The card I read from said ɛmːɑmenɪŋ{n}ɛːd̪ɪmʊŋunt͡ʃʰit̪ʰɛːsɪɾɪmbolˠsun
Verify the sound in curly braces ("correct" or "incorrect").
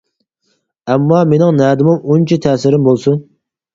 correct